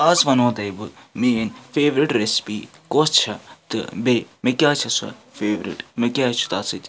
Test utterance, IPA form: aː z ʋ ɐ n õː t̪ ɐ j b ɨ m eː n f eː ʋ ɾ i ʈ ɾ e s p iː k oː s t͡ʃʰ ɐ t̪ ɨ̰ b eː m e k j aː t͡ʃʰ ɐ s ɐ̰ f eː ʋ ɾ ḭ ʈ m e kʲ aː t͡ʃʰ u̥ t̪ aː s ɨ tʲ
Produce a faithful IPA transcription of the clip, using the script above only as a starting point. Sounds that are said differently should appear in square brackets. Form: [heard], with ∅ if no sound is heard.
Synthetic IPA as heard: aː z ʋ ɐ n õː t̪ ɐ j b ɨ m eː n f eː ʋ ɾ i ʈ ɾ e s p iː k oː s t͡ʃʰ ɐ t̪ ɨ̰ b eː m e k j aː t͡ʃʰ ɐ s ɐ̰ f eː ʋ ɾ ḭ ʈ m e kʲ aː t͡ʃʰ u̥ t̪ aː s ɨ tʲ